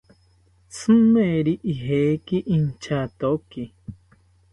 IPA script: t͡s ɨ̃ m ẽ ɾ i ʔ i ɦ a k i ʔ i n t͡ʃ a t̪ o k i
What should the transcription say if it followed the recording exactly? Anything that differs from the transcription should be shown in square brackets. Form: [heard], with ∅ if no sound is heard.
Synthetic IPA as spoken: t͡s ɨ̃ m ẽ ɾ i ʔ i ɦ [e] k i ʔ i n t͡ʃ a t̪ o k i